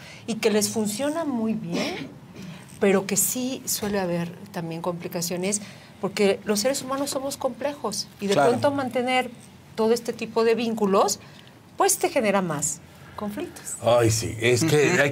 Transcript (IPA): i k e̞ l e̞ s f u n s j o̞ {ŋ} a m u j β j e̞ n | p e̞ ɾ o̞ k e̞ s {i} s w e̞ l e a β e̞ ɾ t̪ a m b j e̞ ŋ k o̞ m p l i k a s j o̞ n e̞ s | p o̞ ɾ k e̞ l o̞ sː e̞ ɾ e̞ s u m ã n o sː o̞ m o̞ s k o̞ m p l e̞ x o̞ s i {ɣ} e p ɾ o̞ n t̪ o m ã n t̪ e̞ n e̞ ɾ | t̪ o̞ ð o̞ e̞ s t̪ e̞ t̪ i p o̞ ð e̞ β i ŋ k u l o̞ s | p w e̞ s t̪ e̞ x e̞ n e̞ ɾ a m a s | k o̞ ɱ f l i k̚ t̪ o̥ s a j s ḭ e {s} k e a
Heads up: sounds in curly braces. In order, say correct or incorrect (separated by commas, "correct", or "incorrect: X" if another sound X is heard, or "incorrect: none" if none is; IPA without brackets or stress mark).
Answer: incorrect: n, correct, incorrect: ð, correct